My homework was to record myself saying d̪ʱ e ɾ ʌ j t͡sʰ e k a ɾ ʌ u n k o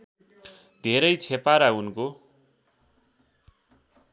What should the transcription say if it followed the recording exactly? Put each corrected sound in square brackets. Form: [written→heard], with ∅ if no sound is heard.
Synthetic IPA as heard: d̪ʱ e ɾ ʌ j t͡sʰ e [k→p] a ɾ [ʌ→a] u n k o